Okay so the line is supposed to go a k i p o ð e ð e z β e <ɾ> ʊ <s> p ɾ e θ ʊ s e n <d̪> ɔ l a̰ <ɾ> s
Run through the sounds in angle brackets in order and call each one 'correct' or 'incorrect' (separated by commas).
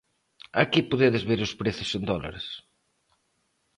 correct, correct, correct, correct